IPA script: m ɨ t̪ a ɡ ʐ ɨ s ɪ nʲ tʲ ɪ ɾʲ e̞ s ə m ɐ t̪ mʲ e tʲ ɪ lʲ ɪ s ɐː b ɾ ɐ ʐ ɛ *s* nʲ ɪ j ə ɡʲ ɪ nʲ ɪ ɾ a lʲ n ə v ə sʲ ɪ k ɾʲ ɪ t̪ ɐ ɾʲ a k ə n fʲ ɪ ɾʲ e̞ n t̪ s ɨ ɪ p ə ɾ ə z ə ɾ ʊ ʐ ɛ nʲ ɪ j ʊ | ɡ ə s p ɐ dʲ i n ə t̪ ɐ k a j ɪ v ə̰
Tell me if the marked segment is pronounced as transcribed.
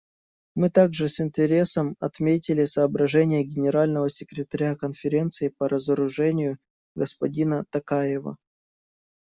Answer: no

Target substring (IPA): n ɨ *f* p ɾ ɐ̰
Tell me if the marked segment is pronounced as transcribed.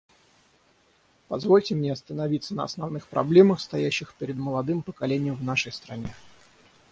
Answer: no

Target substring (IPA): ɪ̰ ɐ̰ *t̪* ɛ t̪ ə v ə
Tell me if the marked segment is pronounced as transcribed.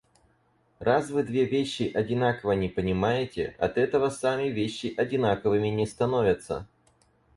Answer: yes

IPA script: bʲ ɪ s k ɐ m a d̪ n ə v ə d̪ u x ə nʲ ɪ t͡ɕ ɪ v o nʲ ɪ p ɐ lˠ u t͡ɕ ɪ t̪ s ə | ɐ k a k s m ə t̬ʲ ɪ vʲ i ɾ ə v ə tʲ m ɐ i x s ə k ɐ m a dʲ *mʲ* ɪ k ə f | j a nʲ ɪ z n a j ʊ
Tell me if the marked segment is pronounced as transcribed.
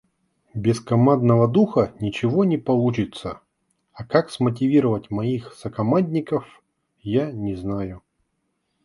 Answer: no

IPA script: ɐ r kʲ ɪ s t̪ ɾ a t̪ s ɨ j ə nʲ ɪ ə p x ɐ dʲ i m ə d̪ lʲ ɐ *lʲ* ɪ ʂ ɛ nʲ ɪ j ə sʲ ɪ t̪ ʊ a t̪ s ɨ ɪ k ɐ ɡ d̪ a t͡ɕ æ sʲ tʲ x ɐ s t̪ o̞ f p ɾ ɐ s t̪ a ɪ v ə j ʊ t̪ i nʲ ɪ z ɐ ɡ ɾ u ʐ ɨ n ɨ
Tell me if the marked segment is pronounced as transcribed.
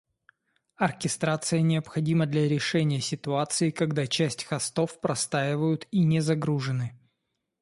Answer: no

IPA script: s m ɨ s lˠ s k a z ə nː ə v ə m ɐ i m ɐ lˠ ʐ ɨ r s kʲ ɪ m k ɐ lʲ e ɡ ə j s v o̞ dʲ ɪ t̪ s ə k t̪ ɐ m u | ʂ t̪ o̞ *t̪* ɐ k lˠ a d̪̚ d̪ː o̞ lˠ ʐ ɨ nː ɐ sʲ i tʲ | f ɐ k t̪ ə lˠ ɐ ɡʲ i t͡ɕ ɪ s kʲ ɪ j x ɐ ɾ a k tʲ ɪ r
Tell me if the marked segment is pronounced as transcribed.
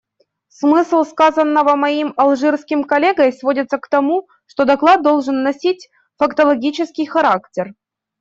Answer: no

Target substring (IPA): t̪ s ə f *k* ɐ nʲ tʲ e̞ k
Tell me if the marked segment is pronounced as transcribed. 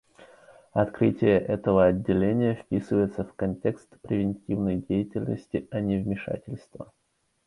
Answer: yes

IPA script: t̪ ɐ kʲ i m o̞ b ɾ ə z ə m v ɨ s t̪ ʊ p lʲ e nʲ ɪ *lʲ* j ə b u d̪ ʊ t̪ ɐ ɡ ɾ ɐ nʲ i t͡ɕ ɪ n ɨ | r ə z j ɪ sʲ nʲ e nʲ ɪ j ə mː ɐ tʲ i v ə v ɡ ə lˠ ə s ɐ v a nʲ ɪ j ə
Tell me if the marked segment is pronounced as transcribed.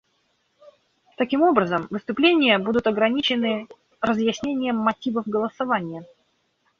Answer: no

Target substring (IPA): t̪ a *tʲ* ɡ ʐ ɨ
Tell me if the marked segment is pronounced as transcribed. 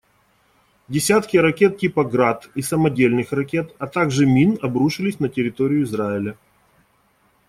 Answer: no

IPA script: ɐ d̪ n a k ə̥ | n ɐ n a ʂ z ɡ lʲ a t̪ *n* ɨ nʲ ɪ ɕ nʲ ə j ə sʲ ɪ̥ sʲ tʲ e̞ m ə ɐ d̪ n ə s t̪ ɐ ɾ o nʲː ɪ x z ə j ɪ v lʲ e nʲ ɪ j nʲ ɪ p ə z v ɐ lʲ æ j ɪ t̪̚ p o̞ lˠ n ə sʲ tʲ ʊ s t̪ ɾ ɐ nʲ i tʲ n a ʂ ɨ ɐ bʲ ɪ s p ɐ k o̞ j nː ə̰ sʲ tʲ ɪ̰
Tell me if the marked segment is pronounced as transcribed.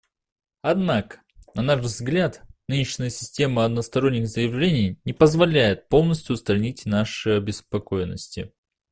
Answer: yes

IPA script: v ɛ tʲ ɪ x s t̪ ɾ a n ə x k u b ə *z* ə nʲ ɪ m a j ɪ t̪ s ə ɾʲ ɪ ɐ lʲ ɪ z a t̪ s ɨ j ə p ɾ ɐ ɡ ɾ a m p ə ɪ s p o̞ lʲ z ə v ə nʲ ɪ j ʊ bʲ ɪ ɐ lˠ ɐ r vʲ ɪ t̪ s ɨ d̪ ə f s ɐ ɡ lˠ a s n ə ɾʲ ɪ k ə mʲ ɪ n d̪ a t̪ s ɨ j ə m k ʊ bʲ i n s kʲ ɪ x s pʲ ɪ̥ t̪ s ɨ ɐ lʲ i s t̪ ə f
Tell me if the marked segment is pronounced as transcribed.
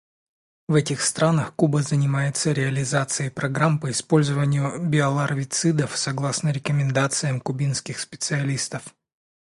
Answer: yes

